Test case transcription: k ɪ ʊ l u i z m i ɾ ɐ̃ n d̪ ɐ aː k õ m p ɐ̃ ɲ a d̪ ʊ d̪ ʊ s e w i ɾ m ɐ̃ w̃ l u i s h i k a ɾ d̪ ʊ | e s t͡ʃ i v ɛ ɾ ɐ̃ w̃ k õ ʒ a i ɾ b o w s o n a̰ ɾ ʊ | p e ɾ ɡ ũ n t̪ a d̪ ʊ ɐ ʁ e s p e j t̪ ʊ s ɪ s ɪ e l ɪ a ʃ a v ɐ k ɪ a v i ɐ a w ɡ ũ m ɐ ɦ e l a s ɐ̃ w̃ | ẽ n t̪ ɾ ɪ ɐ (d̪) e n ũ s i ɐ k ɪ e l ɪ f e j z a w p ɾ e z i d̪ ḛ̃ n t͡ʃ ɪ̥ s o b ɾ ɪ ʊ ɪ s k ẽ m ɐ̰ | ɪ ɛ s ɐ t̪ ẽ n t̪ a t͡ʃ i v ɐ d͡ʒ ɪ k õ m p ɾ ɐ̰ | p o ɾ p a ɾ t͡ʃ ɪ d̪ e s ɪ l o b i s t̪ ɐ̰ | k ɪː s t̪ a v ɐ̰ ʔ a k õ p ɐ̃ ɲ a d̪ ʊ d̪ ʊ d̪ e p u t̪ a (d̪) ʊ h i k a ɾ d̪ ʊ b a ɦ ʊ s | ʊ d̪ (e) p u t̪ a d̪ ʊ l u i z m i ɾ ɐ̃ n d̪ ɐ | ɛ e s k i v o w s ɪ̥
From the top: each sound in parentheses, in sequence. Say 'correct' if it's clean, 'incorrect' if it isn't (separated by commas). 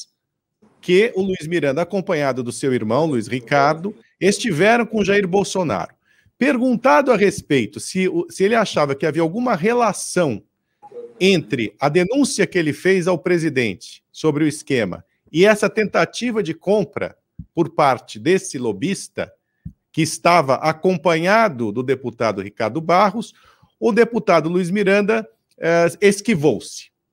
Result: correct, correct, correct